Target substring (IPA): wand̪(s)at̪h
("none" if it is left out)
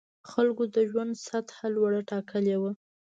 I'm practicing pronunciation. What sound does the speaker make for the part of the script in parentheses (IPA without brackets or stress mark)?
s